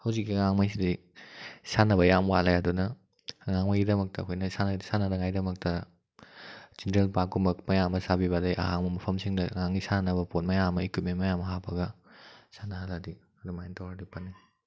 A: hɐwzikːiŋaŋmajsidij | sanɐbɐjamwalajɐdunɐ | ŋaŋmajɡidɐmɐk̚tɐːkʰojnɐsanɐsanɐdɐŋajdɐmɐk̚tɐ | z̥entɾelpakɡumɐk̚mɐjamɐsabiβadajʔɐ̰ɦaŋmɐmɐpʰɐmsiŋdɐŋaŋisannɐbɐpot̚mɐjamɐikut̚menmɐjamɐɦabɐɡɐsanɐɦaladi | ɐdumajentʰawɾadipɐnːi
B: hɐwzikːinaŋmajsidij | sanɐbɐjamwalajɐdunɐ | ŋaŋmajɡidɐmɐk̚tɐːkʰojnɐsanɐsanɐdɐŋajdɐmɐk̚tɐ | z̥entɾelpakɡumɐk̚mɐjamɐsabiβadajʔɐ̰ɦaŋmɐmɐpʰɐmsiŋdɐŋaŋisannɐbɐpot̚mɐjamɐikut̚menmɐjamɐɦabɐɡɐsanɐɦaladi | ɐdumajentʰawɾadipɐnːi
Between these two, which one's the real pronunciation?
A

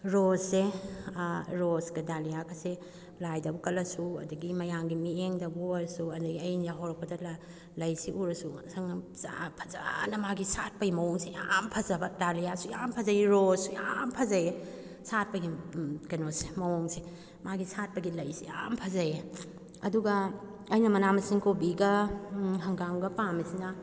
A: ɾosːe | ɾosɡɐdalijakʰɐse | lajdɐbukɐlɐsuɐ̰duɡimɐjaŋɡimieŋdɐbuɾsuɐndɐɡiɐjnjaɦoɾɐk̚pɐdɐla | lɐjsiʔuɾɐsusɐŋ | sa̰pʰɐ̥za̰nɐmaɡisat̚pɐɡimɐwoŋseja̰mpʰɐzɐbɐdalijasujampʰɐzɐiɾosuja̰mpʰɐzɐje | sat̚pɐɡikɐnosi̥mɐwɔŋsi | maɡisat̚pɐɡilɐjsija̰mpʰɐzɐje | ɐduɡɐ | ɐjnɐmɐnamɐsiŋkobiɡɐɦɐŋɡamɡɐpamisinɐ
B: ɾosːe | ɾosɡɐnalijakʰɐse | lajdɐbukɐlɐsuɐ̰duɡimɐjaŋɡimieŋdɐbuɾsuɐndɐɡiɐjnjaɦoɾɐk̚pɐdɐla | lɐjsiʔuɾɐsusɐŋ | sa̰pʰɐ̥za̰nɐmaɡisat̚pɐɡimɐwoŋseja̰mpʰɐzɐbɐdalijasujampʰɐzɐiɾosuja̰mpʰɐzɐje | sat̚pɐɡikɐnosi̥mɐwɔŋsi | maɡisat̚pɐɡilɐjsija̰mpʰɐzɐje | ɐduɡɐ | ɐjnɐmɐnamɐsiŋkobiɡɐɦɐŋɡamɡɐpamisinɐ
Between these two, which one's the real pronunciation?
A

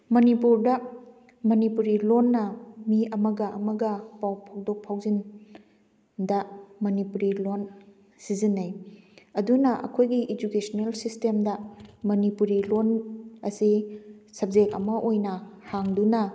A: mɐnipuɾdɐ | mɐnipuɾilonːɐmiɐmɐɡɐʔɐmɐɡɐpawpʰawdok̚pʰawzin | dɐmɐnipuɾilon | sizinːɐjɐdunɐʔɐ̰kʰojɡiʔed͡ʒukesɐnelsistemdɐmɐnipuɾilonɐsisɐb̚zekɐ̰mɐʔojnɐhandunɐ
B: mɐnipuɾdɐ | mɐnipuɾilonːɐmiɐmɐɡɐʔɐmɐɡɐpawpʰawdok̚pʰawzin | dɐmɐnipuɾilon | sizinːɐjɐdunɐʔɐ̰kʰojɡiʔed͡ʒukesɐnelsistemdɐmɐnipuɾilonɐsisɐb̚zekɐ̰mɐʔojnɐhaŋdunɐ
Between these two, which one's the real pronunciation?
B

